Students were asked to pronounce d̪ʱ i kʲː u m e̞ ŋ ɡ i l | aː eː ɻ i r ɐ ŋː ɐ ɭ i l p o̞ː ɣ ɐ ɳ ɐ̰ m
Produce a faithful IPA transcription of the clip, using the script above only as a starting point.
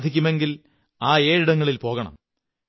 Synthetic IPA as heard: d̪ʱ i kʲː u m e̞ ŋ ɡ i l | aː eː ɻ i ɽ ɐ ŋː ɐ ɭ i l p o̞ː ɣ ɐ ɳ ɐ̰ m